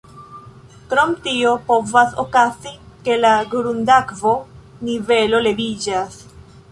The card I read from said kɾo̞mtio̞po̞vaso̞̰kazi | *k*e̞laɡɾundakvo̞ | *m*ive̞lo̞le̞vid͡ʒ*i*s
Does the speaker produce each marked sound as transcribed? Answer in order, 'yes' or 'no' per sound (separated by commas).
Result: yes, no, no